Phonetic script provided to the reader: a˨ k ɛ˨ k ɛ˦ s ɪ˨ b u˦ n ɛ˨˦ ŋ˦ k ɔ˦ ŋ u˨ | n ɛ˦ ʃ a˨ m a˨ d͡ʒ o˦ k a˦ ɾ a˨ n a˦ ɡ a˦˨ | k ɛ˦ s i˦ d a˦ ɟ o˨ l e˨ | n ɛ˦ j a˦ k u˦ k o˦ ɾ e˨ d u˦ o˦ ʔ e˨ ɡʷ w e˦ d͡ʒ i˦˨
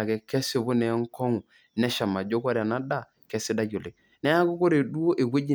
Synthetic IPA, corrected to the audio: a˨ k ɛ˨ k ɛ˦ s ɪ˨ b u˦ n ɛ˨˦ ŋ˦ k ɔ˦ ŋ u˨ | n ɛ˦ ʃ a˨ m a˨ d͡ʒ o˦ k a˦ ɾ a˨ n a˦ d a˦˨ | k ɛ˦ s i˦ d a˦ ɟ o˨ l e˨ | n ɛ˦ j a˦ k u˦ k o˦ ɾ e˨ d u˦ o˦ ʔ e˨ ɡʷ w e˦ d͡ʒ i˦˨